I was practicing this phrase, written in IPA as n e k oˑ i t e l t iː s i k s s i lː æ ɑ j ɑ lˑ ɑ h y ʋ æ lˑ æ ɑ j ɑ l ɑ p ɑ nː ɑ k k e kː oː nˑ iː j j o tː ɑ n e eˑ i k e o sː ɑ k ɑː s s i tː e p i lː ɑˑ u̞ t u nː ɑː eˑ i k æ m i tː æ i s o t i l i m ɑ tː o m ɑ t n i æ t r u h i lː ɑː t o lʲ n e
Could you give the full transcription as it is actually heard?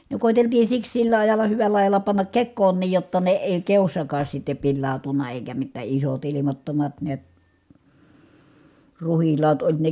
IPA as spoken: n e k oˑ i t e l t iː s i k s s i lː æ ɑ j ɑ lˑ ɑ h y ʋ æ lˑ æ ɑ j ɑ l ɑ p ɑ nː ɑ k k e kː oː nˑ iː j j o tː ɑ n e eˑ i k e o sː ɑ k ɑː s s i tː e p i lː ɑˑ u̞ t u nː ɑ eˑ i k æ m i tː æ i s o t i l i m ɑ tː o m ɑ t n i æ t r u h i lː ɑː t o lʲ n e